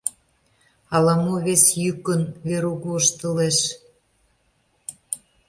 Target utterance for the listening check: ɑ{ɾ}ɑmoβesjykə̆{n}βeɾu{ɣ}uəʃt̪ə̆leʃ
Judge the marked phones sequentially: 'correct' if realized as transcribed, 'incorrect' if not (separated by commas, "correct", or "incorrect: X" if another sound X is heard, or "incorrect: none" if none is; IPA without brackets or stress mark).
incorrect: l, correct, correct